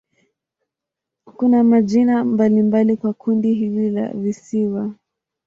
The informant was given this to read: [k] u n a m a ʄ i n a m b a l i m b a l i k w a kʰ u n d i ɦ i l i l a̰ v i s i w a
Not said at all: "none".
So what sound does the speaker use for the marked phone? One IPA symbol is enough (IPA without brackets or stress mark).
k